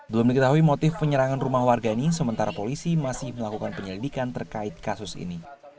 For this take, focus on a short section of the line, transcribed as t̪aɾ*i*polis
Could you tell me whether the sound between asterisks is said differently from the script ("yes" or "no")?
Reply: yes